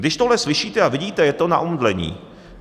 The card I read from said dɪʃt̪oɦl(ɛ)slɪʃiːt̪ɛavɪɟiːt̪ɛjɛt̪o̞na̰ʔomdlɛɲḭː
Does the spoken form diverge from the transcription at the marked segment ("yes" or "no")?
no